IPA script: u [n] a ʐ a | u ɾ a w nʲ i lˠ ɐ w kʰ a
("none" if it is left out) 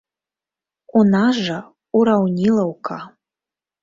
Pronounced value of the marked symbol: n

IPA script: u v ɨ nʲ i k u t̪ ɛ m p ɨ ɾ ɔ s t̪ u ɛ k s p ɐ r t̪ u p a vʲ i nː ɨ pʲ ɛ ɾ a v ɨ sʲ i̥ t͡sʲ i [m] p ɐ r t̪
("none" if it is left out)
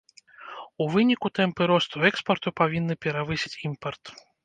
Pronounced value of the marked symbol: m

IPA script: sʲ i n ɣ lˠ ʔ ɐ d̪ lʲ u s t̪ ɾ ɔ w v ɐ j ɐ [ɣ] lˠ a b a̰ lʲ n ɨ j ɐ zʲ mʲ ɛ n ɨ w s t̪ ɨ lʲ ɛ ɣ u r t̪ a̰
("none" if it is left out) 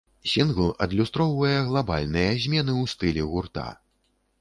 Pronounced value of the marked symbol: ɣ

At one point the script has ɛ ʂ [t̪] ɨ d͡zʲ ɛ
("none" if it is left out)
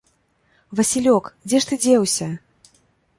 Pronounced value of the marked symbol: t̪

